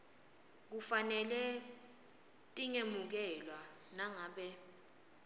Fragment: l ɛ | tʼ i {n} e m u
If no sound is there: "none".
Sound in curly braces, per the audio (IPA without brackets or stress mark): ŋ